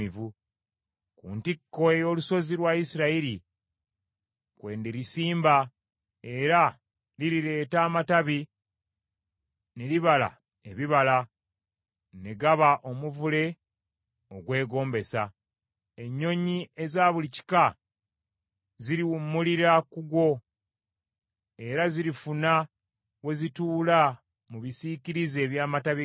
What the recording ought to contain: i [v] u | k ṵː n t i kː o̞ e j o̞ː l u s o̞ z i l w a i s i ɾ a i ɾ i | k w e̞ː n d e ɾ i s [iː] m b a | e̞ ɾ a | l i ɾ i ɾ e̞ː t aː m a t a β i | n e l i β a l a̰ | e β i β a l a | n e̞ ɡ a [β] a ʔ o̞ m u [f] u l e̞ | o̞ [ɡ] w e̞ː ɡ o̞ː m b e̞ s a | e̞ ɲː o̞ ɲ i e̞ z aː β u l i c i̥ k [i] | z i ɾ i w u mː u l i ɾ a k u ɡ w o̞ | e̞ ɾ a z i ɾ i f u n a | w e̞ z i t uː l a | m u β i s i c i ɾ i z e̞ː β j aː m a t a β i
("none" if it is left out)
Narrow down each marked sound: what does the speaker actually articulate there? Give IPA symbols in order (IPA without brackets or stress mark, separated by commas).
v, iː, β, v, ɡ, a